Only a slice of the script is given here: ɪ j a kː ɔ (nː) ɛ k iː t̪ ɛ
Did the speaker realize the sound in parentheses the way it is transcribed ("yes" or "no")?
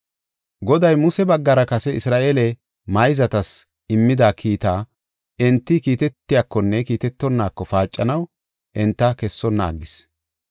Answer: yes